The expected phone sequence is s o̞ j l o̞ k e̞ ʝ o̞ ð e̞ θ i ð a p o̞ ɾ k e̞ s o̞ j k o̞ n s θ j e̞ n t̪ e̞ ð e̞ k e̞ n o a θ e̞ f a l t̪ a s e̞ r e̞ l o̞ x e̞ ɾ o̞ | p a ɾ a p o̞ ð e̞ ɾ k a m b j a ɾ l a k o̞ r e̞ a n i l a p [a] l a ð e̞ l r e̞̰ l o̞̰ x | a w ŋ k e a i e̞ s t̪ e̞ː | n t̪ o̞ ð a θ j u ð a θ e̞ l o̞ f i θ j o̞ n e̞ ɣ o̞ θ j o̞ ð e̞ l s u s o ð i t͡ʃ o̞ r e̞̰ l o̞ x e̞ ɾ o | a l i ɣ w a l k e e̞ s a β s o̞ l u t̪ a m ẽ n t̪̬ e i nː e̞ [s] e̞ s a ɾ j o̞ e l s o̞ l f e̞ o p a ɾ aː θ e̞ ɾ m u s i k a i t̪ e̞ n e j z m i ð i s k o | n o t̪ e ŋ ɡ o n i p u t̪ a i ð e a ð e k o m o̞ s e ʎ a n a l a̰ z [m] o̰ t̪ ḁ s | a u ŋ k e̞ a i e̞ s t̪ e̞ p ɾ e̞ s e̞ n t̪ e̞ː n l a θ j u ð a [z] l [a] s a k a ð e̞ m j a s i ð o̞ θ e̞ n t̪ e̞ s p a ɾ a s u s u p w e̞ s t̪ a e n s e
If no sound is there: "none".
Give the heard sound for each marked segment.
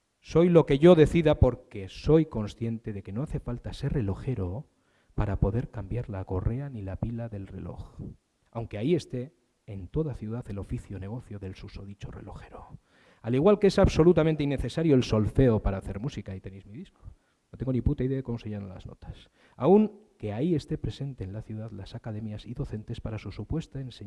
i, θ, n, ð, a

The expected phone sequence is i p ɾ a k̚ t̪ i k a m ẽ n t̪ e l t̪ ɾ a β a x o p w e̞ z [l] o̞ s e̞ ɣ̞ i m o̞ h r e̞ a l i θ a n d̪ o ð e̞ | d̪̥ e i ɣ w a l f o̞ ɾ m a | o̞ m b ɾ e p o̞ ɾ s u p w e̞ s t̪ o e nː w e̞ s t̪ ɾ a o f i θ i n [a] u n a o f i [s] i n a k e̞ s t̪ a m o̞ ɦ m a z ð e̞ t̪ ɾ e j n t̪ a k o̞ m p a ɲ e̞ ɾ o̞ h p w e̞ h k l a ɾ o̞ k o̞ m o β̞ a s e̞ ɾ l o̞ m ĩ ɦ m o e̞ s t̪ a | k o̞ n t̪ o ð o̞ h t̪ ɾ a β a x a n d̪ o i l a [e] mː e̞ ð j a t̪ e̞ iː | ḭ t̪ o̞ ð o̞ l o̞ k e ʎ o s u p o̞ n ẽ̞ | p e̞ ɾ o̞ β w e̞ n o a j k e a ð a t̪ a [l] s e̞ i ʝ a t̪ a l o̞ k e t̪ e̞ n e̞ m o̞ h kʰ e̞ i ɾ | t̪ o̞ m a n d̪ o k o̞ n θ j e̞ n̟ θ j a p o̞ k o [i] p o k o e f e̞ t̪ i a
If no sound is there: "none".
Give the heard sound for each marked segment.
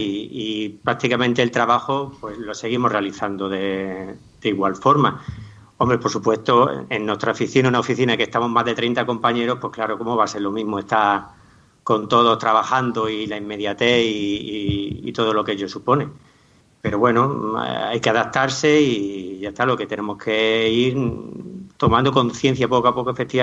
l, a, θ, i, ɾ, a

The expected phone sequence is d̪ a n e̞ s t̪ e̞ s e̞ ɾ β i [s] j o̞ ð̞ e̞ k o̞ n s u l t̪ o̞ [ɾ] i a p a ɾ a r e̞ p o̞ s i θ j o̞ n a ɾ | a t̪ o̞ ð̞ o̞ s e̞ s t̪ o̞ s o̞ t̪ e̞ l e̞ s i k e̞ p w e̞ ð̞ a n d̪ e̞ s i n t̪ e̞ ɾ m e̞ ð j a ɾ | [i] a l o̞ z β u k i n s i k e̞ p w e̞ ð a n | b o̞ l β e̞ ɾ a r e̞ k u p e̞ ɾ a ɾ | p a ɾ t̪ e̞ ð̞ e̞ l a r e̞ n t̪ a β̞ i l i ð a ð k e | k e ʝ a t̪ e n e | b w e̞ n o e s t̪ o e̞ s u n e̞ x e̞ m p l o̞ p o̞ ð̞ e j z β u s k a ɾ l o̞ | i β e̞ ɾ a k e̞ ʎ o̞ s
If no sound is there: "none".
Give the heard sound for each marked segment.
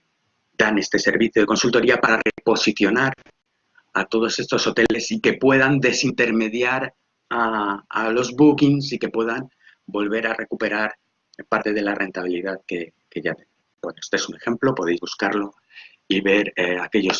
θ, ɾ, a

